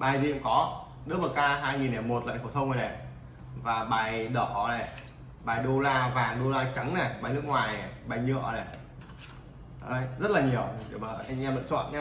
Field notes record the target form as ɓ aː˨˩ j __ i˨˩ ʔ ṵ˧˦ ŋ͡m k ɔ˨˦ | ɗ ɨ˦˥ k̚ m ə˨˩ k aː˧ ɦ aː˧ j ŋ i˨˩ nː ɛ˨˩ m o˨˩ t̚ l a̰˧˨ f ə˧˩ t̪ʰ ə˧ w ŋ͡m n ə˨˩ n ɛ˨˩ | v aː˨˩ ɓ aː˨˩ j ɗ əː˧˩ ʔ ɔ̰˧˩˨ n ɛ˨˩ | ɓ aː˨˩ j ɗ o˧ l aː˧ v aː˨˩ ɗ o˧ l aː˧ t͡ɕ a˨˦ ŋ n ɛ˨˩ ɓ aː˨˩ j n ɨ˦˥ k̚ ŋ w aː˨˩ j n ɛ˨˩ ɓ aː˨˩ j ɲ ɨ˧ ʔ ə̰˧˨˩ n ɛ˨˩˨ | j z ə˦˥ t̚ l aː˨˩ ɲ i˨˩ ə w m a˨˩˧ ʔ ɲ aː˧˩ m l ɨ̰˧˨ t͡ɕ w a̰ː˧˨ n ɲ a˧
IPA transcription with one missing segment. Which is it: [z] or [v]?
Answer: z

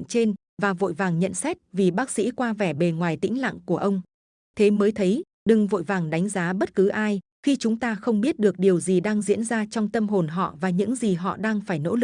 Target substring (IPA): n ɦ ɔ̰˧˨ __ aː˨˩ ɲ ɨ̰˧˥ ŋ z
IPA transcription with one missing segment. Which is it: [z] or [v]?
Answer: v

